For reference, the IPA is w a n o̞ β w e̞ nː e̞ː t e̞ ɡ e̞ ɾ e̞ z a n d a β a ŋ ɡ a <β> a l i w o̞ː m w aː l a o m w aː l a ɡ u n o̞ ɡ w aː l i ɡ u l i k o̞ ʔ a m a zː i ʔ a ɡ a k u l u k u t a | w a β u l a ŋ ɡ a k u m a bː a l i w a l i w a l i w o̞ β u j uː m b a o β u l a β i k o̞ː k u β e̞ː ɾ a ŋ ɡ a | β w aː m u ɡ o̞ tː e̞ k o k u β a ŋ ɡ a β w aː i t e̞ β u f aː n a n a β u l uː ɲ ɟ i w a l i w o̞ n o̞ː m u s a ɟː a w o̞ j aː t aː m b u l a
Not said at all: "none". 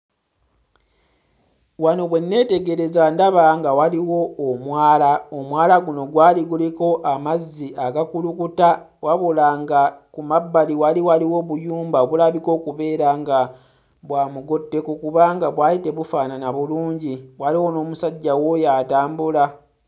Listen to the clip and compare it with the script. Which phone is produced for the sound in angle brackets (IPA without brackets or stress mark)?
w